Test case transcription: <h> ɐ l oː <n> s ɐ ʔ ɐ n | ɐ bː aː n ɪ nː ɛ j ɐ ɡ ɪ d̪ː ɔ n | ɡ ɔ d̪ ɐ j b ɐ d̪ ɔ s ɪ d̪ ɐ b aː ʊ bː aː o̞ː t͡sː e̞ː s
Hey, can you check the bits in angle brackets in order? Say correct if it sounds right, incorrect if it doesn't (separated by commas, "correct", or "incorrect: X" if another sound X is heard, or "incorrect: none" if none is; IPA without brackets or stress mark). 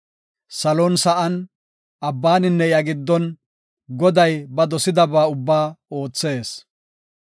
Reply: incorrect: s, correct